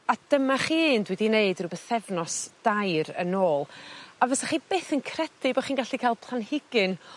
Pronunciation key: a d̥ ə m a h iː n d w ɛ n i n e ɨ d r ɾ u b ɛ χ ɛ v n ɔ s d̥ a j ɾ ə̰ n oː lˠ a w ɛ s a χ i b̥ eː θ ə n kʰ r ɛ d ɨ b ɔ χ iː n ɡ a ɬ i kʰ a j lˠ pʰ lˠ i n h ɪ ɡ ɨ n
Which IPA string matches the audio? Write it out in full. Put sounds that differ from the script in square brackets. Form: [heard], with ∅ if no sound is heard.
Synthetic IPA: a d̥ ə m a [χ] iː n d w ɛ [d] i n e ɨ d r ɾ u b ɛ [θ] ɛ v n ɔ s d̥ a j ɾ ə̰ n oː lˠ a [v] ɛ s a χ i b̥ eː θ ə n kʰ r ɛ d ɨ b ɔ χ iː n ɡ a ɬ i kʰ a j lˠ pʰ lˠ [a] n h ɪ ɡ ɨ n